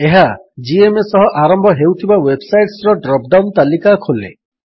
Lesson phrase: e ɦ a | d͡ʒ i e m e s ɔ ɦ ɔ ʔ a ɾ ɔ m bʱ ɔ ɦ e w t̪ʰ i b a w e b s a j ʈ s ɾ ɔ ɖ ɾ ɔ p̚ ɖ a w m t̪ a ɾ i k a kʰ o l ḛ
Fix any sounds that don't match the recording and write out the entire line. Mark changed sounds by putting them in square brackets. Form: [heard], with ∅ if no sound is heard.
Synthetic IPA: e ɦ a | d͡ʒ i e m e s ɔ ɦ ɔ ʔ a ɾ ɔ m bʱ ɔ ɦ e w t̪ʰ i b a w e b s a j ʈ s ɾ ɔ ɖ ɾ ɔ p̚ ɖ a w [n] t̪ a [l] i k a kʰ o l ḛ